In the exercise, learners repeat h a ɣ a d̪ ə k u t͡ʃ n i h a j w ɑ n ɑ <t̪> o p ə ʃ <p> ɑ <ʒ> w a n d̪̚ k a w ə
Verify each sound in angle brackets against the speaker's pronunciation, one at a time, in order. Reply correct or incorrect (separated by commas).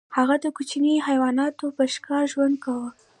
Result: correct, incorrect, correct